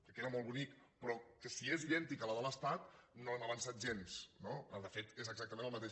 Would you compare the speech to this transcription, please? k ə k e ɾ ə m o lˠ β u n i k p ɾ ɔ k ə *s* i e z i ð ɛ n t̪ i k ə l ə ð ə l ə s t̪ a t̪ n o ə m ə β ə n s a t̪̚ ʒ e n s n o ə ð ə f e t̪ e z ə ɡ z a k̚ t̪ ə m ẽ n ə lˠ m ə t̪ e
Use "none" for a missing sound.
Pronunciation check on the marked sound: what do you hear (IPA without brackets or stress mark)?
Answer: s